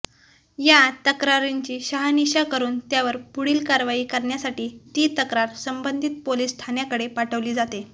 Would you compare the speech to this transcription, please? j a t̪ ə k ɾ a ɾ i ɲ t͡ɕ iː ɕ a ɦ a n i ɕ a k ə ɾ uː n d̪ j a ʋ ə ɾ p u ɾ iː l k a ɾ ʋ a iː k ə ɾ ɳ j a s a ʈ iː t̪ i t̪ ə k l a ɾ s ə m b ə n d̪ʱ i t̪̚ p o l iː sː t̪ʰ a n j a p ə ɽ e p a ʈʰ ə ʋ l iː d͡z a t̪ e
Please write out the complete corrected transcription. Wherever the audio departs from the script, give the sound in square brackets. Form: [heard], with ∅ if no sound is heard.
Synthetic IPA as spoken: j a t̪ ə k ɾ a ɾ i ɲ t͡ɕ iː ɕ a ɦ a n i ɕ a k ə ɾ uː n [t̪] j a ʋ ə ɾ p u [ɽ] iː l k a ɾ ʋ a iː k ə ɾ ɳ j a s a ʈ iː t̪ i t̪ ə k [ɾ] a ɾ s ə m b ə n d̪ʱ i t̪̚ p o l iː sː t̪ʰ a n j a [k] ə ɽ e p a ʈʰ ə ʋ l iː d͡z a t̪ e